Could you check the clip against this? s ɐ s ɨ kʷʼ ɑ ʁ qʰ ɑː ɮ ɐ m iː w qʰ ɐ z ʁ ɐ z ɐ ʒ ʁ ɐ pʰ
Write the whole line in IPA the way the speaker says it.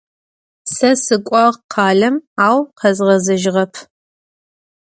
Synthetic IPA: s ɐ s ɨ kʷʼ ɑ ʁ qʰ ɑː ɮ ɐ m aː w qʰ ɐ z ʁ ɐ z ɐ ʒ ʁ ɐ pʰ